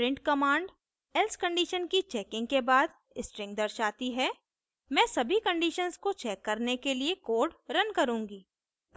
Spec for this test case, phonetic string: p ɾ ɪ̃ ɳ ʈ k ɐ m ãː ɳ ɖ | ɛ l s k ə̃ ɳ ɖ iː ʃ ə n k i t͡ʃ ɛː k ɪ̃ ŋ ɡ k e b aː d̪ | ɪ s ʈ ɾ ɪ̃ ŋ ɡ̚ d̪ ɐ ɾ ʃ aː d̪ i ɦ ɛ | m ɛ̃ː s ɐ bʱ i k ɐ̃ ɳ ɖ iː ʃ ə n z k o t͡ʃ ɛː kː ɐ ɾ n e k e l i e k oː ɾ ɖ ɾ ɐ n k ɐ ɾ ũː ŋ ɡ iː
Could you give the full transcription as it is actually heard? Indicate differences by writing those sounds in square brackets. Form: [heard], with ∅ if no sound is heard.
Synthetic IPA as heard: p ɾ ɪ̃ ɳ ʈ k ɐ m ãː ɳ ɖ | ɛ l s k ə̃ ɳ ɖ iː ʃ ə n k i t͡ʃ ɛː k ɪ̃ ŋ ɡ k e b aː d̪ | ɪ s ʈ ɾ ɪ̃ ŋ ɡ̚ d̪ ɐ ɾ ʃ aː [t̪] i ɦ ɛ | m ɛ̃ː s ɐ bʱ i k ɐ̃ ɳ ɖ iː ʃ ə n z k o t͡ʃ ɛː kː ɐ ɾ n e k e l i e k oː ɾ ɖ ɾ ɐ n k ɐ ɾ ũː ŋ ɡ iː